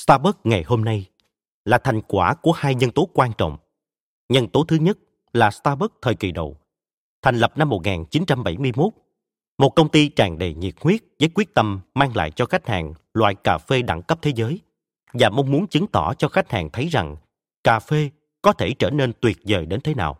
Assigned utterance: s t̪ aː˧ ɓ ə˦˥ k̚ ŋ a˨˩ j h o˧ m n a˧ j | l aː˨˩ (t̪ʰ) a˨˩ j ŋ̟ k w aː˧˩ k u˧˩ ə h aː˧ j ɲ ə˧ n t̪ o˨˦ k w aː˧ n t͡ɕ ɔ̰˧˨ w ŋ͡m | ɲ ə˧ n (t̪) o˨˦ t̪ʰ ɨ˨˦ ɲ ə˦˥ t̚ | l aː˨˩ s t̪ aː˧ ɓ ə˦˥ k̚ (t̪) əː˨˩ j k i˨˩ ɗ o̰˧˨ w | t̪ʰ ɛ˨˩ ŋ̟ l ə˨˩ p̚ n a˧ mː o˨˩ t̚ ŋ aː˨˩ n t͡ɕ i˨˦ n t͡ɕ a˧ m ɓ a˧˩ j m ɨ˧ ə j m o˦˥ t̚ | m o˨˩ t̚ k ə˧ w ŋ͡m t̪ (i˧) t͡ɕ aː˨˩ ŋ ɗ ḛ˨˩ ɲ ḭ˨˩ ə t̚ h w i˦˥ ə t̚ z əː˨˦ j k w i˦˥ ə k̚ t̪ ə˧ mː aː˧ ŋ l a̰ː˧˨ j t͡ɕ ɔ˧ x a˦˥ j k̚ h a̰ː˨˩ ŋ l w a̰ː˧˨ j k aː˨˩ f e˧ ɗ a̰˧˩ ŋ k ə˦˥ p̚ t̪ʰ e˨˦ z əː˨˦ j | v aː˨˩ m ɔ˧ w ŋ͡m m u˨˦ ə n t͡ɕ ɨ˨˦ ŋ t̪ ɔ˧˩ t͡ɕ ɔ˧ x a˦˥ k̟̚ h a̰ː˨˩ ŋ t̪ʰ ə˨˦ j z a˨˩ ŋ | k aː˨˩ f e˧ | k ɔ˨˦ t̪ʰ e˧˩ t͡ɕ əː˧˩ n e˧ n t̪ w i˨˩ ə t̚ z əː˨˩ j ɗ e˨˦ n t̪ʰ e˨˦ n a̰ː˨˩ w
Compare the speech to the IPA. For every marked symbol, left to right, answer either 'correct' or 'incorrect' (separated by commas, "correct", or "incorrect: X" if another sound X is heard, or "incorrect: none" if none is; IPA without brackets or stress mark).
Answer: correct, correct, incorrect: t̪ʰ, correct